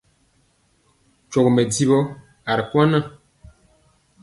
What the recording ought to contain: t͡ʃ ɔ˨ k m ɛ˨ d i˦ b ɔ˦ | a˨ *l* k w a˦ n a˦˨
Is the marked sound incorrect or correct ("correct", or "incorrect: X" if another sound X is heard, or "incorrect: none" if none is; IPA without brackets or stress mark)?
incorrect: ɾ